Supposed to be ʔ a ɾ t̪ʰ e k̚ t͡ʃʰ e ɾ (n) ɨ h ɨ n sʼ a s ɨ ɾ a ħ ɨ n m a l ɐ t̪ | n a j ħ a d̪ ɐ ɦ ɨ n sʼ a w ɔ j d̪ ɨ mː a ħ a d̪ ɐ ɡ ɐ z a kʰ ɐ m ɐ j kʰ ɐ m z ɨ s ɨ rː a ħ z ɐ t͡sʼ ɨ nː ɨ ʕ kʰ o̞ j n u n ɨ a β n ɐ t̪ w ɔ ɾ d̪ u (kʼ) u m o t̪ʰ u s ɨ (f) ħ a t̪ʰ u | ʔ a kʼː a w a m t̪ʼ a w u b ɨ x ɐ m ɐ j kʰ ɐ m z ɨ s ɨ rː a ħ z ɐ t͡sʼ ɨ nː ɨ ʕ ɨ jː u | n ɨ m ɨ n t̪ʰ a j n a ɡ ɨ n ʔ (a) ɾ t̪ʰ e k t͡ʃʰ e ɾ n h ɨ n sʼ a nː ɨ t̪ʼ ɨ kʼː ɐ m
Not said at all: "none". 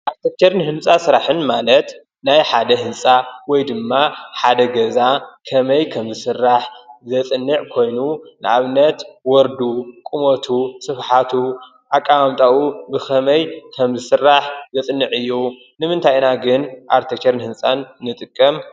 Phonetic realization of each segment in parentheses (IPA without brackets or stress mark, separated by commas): n, kʼ, f, a